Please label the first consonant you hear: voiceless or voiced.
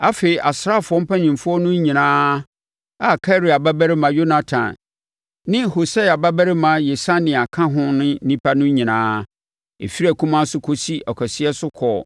voiceless